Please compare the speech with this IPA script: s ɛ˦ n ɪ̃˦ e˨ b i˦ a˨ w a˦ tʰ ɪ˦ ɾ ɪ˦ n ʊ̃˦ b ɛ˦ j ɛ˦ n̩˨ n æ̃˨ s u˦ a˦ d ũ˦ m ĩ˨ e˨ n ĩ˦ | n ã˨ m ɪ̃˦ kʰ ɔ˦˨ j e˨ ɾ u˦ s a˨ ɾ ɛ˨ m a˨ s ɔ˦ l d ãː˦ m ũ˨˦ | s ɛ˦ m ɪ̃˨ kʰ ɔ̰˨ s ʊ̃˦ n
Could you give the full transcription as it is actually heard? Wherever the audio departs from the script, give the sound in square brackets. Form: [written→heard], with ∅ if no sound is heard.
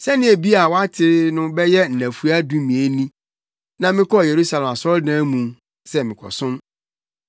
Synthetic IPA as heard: s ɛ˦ n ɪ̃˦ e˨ b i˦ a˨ w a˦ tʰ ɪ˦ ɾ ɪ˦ n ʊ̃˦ b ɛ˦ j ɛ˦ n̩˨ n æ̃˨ [s→f] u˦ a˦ d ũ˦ m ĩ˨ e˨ n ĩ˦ | n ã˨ m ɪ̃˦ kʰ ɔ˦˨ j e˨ ɾ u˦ s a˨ [ɾ→l] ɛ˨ m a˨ s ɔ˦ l d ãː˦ m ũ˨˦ | s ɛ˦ m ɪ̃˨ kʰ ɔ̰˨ s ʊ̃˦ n